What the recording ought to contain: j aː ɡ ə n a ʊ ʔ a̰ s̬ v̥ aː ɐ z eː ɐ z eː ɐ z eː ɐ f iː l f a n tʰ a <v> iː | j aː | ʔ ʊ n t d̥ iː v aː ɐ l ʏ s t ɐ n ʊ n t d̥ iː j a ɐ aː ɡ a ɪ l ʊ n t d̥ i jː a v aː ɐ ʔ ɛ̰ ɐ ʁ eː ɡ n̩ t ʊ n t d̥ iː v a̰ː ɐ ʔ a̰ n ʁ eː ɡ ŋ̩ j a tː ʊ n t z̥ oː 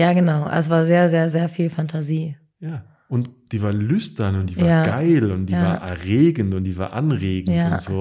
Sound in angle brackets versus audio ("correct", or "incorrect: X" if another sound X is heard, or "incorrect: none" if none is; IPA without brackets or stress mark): incorrect: z